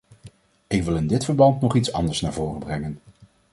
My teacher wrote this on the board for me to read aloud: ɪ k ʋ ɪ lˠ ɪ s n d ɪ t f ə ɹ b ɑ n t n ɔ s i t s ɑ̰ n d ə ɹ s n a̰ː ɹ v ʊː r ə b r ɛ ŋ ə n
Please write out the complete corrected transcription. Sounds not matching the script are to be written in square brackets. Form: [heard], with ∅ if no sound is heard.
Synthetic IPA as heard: ɪ k ʋ ɪ lˠ ɪ [∅] n d ɪ t f ə ɹ b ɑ n t n ɔ [χ] i t s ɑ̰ n d ə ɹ s n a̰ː ɹ v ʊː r ə b r ɛ ŋ ə n